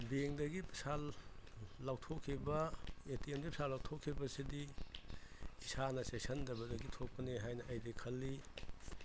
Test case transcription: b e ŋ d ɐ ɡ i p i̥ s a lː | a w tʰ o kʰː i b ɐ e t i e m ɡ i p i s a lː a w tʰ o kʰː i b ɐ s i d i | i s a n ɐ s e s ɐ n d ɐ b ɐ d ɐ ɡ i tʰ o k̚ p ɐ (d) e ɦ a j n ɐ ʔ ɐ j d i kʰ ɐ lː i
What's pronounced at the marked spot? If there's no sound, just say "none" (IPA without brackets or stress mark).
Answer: n